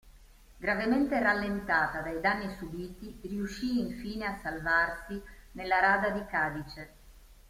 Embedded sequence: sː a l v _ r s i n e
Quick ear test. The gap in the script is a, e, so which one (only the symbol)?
a